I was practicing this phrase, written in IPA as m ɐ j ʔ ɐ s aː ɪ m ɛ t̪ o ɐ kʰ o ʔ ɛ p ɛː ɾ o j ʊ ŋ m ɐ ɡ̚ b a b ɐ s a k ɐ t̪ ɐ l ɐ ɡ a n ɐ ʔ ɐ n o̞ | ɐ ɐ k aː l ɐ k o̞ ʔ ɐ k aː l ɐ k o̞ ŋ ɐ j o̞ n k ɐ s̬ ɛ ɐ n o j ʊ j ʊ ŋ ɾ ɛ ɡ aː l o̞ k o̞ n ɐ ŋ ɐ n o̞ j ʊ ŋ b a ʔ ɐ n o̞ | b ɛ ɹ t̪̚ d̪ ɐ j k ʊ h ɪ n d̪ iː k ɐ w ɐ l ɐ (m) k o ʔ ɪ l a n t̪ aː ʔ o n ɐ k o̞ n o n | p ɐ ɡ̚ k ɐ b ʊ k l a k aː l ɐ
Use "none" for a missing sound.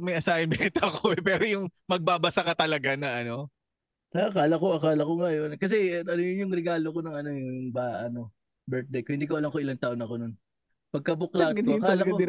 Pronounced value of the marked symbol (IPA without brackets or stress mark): ŋ